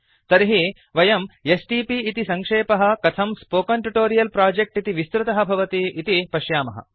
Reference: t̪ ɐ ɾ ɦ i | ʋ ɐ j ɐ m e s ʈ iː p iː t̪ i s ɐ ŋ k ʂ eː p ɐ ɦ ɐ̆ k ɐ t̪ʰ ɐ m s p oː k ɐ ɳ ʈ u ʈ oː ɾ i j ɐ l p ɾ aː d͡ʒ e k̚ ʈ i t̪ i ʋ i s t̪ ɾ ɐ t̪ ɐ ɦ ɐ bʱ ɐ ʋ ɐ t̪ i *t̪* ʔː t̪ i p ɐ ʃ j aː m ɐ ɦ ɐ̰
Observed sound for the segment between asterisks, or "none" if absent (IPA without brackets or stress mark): none